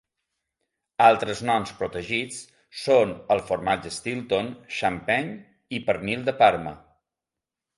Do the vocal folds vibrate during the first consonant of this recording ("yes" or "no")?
yes